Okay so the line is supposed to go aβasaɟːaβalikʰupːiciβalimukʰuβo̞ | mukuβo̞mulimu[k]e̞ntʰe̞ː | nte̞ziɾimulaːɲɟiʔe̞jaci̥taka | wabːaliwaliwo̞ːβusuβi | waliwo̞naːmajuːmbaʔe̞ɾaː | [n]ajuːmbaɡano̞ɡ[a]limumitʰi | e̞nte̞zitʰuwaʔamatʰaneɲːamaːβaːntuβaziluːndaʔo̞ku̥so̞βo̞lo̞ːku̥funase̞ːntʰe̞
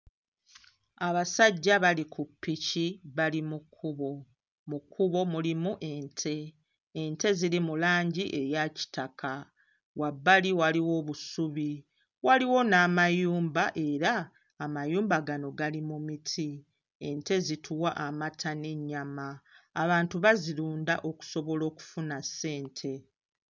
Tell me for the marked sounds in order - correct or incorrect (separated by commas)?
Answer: incorrect, incorrect, correct